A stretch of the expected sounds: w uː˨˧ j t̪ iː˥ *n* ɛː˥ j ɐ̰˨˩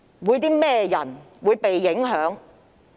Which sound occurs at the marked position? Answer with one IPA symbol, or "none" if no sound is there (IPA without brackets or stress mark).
m